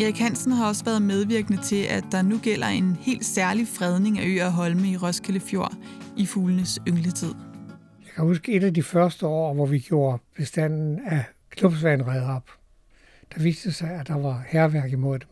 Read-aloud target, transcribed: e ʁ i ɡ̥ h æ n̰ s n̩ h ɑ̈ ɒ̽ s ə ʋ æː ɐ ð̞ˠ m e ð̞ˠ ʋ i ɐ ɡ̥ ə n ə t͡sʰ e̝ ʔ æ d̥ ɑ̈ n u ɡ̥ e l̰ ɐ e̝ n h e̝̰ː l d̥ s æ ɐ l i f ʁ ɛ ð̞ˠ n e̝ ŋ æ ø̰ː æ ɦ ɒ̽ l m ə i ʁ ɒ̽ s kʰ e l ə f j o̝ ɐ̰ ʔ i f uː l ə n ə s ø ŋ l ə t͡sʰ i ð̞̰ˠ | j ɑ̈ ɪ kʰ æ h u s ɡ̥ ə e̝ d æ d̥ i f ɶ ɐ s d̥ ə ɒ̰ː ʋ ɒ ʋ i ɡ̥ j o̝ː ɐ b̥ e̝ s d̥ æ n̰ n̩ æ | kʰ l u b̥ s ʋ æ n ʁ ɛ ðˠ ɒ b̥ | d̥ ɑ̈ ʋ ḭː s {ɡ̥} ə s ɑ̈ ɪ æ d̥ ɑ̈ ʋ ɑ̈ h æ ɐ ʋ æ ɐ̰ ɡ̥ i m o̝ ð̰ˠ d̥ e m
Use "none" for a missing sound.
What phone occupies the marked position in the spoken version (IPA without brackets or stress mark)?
d̥